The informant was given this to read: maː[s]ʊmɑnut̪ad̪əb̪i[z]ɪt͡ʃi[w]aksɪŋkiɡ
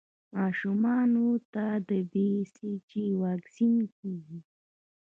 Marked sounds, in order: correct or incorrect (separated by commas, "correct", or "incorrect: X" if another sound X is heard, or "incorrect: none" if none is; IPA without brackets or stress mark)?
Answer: incorrect: ʃ, incorrect: s, correct